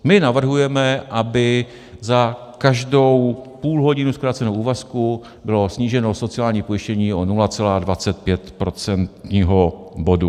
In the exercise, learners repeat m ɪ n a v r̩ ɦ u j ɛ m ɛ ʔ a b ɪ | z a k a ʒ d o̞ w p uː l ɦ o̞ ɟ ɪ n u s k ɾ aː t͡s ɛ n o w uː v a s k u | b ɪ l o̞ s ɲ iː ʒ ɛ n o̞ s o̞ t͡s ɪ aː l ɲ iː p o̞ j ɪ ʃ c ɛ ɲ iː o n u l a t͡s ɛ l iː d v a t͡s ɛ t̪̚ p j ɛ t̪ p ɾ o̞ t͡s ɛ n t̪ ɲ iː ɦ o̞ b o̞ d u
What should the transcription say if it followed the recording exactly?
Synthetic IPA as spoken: m ɪ n a v r̩ ɦ u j ɛ m ɛ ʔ a b ɪ | z a k a ʒ d o̞ w p uː l ɦ o̞ ɟ ɪ n u s k ɾ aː t͡s ɛ n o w uː v a s k u | b ɪ l o̞ s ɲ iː ʒ ɛ n o̞ s o̞ t͡s ɪ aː l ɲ iː p o̞ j ɪ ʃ c ɛ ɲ iː o n u l a t͡s ɛ l aː d v a t͡s ɛ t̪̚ p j ɛ t̪ p ɾ o̞ t͡s ɛ n t̪ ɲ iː ɦ o̞ b o̞ d u